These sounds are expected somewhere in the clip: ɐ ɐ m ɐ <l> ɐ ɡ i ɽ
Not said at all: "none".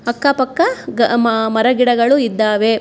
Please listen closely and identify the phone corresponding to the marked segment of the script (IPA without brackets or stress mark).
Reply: ɾ